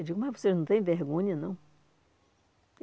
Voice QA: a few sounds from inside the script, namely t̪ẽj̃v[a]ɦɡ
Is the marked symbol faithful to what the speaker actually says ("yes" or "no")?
no